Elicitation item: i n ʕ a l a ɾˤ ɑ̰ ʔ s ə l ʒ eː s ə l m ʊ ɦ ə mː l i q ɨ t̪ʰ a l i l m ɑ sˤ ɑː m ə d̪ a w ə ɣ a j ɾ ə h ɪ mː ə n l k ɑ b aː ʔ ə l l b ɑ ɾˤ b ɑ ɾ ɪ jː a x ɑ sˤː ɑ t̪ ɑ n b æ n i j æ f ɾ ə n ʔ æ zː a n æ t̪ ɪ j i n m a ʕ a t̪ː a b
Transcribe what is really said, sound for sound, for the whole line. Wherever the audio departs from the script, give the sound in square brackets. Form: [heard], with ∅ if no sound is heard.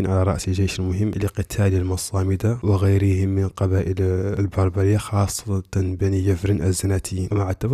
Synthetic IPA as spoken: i n ʕ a l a ɾˤ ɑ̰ ʔ s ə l ʒ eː [ʃ] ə l m ʊ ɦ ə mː l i q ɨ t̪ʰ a l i l m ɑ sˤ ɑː m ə d̪ a w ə ɣ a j ɾ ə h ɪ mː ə n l [q] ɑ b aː ʔ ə l l b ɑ ɾˤ b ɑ ɾ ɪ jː a x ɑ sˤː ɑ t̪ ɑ n b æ n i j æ f ɾ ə n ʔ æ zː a n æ t̪ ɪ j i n m a ʕ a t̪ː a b